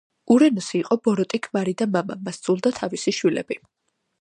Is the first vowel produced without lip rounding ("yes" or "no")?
no